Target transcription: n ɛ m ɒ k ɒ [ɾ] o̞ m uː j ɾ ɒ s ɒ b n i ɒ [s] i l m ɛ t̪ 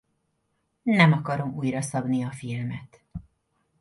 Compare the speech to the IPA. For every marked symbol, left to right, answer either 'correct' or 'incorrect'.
correct, incorrect

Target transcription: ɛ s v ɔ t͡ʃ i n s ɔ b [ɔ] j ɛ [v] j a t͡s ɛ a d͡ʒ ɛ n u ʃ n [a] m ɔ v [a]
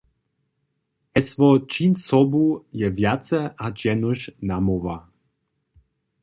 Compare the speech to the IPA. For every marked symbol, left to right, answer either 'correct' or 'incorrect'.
incorrect, correct, correct, correct

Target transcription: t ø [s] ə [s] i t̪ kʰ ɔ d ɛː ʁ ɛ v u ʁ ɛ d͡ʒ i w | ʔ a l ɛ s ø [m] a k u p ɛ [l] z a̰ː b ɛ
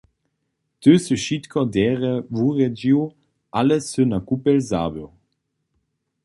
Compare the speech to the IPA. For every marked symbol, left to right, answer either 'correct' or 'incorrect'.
correct, incorrect, incorrect, correct

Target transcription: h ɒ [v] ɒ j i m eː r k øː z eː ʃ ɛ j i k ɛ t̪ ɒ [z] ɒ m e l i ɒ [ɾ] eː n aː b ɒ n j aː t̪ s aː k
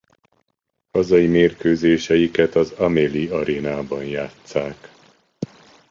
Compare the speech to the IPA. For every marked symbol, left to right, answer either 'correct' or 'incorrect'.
incorrect, correct, correct

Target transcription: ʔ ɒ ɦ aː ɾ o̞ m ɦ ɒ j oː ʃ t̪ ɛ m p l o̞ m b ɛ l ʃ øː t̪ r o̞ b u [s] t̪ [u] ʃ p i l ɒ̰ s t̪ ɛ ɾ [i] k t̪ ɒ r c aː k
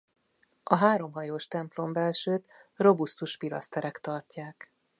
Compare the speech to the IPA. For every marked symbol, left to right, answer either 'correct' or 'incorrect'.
correct, correct, incorrect

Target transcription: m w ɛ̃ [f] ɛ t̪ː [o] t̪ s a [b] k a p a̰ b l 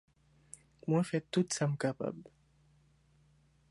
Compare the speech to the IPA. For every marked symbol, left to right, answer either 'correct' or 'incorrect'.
correct, incorrect, incorrect

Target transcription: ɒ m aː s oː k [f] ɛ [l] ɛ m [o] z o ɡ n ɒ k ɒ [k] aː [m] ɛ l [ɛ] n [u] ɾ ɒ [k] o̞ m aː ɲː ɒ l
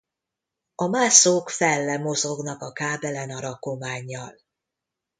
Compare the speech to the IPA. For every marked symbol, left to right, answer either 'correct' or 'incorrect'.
correct, incorrect, correct, correct, incorrect, correct, incorrect, correct

